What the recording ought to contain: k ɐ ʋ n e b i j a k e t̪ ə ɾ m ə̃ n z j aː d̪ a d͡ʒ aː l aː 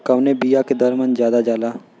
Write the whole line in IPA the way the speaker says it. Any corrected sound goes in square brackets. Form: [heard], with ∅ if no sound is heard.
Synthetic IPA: k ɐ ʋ n e b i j a k e [d̪] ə ɾ m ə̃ n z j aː d̪ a d͡ʒ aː l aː

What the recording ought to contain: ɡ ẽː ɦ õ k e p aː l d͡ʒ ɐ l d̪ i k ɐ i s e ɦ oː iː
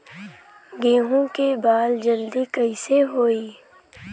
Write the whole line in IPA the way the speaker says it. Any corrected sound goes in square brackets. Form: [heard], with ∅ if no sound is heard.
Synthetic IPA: ɡ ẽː ɦ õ k e [b] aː l d͡ʒ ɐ l d̪ i k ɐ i s e ɦ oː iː

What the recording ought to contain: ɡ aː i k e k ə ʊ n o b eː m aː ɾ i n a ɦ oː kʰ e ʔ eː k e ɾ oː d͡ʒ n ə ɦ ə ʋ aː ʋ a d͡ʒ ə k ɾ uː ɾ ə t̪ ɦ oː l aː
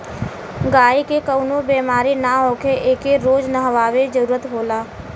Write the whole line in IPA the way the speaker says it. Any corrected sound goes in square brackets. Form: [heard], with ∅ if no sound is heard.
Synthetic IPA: ɡ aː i k e k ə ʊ n o b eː m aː ɾ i n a ɦ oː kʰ e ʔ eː k e ɾ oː d͡ʒ n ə ɦ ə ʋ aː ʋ [e] d͡ʒ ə [∅] ɾ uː ɾ ə t̪ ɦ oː l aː

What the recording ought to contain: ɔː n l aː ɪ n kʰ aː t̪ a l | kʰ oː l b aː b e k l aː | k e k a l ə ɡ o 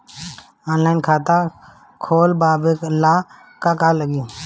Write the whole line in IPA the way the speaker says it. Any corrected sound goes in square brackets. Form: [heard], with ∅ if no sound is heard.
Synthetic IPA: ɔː n l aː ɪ n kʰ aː t̪ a [∅] | kʰ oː l b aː b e k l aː | k [a] k a l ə ɡ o

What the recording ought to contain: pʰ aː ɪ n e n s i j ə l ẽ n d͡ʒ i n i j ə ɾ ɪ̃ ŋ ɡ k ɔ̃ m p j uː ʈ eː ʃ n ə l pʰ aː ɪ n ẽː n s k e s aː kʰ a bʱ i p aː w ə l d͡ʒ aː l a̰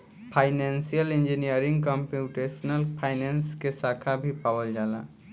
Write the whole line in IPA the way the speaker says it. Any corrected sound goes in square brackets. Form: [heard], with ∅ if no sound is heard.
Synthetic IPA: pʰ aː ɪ n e n s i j ə l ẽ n d͡ʒ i n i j ə ɾ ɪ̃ ŋ ɡ k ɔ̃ m p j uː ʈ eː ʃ n ə l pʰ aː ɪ n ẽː n s k e s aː kʰ a bʱ i p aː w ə l d͡ʒ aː l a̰

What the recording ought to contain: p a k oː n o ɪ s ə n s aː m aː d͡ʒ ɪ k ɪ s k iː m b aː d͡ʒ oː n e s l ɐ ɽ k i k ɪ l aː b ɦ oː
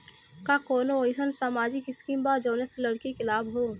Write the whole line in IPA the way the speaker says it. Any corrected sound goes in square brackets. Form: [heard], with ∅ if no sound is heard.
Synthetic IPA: [k] a k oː n o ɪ s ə n s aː m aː d͡ʒ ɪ k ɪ s k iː m b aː d͡ʒ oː n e s l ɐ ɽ k i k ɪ l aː b ɦ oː

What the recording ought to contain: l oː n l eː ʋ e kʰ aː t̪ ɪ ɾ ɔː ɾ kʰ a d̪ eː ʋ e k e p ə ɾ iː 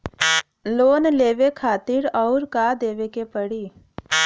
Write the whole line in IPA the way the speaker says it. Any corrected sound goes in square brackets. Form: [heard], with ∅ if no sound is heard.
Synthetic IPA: l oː n l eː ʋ e kʰ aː t̪ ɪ ɾ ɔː ɾ [k] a d̪ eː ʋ e k e p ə [ɽ] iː

